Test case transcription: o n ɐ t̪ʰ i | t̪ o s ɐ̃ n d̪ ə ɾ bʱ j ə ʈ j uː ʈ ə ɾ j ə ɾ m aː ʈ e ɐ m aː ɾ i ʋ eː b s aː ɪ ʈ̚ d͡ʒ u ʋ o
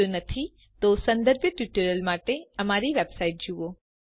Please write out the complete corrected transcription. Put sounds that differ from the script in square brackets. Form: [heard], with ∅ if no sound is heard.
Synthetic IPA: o n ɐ t̪ʰ i | t̪ o s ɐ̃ n d̪ ə ɾ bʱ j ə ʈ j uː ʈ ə ɾ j ə [l] m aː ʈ e ɐ m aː ɾ i ʋ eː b s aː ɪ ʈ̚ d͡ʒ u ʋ o